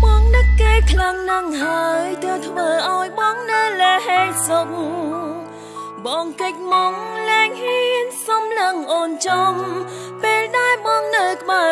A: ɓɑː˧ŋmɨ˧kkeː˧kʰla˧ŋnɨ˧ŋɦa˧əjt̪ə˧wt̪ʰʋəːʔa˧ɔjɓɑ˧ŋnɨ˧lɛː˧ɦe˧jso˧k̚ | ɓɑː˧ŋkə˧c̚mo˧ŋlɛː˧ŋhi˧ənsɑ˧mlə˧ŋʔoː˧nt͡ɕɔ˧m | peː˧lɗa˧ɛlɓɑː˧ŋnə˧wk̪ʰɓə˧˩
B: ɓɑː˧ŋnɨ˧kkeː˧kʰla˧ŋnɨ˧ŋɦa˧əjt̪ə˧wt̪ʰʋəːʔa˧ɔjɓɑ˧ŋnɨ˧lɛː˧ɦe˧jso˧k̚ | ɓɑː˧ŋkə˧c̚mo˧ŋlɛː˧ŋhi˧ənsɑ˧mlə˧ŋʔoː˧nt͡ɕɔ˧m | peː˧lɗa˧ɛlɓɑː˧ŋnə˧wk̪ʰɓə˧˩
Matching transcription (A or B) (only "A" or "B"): B